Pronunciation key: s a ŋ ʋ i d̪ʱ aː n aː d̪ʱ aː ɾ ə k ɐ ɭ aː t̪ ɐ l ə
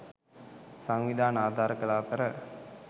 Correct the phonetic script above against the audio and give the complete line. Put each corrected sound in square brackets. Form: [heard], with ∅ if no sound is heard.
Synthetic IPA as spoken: s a ŋ ʋ i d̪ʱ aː n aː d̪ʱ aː ɾ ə k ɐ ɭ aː t̪ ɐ [ɾ] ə